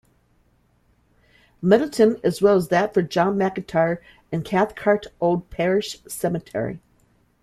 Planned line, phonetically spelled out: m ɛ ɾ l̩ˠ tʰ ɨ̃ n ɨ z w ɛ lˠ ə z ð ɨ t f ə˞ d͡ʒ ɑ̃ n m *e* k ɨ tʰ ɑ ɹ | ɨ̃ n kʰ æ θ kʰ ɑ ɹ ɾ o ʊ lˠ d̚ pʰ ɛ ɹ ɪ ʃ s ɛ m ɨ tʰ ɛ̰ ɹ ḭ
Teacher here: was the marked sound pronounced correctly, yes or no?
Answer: no